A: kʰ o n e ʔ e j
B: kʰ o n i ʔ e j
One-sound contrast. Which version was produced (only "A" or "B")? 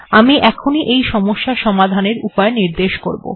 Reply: B